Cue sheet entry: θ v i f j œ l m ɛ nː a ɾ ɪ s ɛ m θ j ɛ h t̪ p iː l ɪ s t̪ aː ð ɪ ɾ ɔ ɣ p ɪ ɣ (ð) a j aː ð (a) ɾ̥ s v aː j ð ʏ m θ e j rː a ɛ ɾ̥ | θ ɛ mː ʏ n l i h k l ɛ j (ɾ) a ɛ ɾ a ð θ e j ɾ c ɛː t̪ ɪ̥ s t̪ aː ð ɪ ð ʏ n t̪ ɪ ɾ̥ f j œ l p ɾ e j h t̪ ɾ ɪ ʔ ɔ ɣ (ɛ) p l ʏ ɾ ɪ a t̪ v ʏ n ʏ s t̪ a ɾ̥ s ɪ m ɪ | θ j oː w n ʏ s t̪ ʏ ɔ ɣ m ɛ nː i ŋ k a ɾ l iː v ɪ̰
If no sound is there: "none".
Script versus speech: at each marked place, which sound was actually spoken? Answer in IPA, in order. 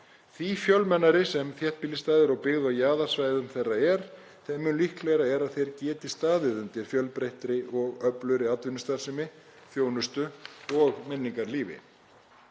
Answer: ð, a, ɾ, œ

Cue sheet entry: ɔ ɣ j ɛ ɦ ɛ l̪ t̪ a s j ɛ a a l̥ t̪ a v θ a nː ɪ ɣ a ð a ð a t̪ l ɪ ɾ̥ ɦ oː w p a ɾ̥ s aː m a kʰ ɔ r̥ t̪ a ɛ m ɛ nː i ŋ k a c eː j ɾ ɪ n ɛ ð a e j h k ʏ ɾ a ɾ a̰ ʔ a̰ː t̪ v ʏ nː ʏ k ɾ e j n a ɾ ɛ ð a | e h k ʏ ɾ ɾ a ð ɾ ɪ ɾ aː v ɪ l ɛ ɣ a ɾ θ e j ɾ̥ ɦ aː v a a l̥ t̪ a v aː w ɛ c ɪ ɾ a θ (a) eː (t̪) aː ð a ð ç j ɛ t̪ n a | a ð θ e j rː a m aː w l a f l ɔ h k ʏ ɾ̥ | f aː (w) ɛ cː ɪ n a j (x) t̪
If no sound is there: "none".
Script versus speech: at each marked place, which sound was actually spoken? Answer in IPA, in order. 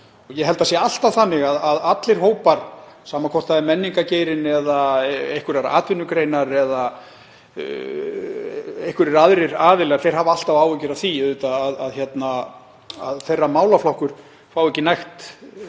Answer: i, t̪, w, x

